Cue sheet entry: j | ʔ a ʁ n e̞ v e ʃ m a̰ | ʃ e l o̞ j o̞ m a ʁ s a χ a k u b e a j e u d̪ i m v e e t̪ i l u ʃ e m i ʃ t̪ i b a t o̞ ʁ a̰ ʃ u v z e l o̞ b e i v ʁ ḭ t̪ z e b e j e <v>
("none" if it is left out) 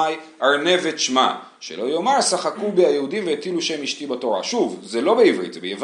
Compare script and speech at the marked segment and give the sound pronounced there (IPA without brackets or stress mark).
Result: v